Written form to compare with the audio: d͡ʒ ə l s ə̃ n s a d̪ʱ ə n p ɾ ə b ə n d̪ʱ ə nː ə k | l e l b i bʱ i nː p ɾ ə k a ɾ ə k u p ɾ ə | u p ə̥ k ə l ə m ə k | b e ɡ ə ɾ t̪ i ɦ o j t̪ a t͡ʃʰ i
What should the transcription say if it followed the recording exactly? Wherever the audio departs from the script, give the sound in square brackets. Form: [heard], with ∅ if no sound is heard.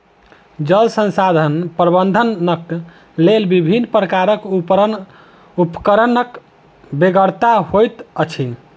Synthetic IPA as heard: d͡ʒ ə l s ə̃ n s a d̪ʱ ə n p ɾ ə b ə n d̪ʱ ə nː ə k | l e l b i bʱ i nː p ɾ ə k a ɾ ə k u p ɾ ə | u p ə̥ k ə [ɾ] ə [n] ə k | b e ɡ ə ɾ t̪ [a] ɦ o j t̪ [ə] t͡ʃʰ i